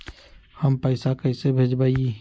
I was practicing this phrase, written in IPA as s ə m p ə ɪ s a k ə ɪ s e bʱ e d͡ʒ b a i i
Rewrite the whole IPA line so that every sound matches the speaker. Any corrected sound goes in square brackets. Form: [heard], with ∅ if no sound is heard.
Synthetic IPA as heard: [h] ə m p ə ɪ s a k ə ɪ s e bʱ e d͡ʒ b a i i